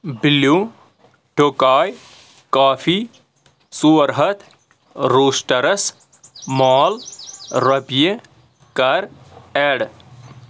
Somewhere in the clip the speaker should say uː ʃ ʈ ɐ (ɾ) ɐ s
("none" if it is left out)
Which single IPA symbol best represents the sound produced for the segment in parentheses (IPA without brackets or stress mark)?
ɾ